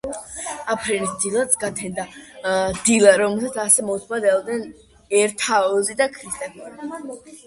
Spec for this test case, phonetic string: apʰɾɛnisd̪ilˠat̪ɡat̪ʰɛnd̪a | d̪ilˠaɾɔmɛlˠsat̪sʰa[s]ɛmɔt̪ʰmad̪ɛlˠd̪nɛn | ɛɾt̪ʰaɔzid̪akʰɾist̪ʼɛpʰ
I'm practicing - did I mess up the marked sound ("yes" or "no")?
no